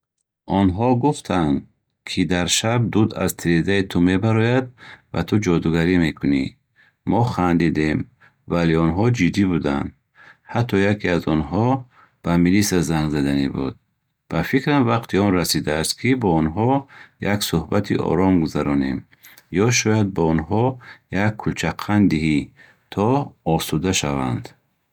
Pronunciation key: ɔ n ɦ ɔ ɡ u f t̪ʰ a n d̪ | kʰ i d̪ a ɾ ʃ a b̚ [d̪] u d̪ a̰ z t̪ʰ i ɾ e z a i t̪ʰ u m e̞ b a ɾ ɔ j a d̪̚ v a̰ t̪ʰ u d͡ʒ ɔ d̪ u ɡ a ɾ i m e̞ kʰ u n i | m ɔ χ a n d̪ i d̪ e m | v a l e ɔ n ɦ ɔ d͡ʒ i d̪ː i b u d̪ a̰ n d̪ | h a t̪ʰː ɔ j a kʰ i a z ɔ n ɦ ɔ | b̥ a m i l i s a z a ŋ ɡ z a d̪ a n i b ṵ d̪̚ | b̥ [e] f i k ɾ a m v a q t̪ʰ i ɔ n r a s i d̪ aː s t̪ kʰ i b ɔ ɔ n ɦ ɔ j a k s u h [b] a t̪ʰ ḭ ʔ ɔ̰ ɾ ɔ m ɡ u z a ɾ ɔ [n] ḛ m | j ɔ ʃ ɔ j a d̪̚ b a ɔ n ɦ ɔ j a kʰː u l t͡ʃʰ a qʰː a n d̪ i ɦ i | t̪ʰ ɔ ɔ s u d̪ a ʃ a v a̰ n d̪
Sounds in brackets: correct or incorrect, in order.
correct, incorrect: a, correct, correct

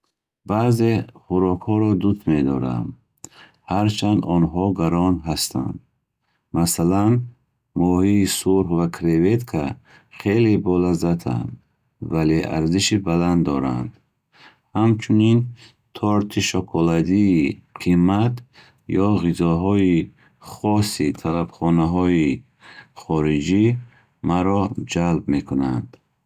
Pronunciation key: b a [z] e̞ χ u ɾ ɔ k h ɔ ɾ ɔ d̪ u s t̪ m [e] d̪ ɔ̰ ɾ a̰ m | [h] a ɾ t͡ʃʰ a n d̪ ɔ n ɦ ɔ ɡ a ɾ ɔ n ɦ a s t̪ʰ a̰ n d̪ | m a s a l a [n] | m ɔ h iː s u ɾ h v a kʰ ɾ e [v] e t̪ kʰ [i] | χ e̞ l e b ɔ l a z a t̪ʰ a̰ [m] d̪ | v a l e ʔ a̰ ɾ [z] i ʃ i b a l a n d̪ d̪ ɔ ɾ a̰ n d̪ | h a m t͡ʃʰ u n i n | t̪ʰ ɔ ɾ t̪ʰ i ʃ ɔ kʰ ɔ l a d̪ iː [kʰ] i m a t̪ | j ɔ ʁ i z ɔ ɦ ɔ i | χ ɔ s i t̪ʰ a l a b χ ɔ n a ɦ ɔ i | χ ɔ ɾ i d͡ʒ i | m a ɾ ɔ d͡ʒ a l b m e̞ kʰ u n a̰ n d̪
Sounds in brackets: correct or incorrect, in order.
correct, correct, correct, correct, correct, incorrect: a, incorrect: n, correct, incorrect: qʰ

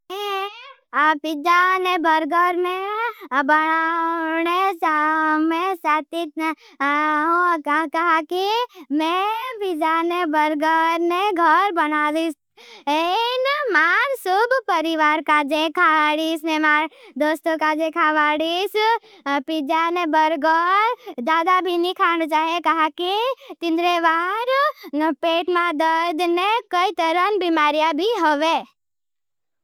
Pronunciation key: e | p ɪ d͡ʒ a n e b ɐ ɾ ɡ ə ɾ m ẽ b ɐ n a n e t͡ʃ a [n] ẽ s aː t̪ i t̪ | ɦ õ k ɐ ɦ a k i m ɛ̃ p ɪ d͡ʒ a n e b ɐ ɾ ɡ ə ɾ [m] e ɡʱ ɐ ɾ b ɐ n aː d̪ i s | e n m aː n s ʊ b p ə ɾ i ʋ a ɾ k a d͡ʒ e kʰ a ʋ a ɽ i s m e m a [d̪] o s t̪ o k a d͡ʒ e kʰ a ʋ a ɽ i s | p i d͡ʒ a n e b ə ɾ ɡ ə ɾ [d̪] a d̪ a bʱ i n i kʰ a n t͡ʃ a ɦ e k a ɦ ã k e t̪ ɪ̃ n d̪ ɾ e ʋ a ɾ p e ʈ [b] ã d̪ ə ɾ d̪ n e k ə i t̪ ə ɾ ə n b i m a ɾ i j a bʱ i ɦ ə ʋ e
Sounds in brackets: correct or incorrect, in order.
incorrect: m, incorrect: n, correct, correct, incorrect: m

